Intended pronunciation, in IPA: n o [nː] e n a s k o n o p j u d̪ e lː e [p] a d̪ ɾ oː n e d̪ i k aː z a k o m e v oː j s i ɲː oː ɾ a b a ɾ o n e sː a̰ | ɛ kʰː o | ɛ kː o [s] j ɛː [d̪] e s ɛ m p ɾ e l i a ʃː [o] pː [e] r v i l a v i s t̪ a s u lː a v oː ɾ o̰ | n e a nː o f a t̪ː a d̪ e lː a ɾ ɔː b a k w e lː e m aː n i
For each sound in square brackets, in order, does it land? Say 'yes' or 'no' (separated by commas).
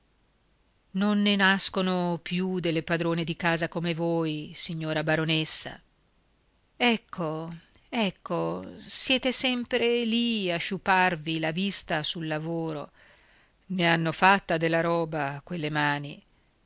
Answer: yes, yes, yes, no, no, no